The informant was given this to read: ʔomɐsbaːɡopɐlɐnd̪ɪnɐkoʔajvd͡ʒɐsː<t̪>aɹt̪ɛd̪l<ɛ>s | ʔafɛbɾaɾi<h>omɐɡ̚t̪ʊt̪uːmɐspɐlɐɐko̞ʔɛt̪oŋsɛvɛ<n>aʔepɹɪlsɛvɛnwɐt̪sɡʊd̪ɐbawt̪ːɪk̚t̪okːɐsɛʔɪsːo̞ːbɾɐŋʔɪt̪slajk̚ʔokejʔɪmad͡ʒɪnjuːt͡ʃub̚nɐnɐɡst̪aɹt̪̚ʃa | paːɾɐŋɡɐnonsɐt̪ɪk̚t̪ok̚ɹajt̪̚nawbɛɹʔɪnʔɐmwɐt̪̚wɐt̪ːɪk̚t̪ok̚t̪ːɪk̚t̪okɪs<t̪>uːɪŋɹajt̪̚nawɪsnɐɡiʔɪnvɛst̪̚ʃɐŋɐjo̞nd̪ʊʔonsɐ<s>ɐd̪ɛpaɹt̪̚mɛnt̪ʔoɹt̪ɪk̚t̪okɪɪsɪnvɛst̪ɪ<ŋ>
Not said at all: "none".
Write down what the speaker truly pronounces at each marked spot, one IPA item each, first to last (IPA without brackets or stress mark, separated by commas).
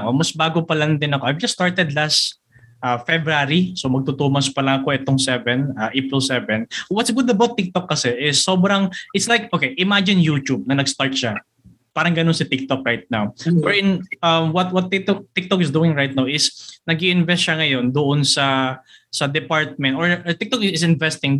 t̪, a, s, n, d̪, s, ŋ